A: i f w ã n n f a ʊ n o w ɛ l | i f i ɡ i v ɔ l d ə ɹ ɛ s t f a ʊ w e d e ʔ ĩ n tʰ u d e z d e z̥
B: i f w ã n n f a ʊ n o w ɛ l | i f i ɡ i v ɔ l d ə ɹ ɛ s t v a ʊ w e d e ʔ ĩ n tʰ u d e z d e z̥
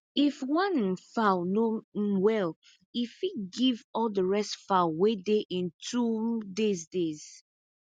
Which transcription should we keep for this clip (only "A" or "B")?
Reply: A